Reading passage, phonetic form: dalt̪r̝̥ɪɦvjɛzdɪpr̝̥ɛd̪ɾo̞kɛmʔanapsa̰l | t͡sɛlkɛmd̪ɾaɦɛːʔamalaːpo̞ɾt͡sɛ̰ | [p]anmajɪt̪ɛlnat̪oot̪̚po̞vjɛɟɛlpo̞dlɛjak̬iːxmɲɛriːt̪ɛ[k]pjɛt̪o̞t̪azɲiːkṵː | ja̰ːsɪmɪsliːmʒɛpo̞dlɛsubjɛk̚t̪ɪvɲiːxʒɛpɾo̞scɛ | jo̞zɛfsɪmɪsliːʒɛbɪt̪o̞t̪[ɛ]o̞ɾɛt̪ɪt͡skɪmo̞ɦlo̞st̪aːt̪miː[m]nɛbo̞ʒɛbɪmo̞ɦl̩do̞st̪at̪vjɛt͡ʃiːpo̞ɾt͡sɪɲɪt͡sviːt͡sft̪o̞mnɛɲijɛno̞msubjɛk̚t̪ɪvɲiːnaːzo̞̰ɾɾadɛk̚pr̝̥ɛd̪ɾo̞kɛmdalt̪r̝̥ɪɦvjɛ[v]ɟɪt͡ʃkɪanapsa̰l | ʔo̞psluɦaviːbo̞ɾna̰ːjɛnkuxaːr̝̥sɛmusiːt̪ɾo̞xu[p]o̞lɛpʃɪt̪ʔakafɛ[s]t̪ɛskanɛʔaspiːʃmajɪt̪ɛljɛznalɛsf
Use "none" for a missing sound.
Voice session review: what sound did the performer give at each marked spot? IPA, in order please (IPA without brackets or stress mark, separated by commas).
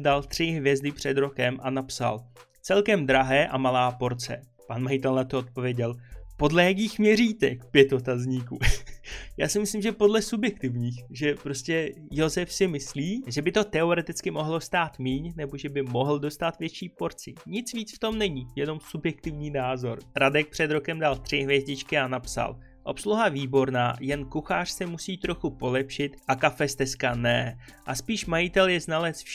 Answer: p, k, ɛ, ɲ, z, p, s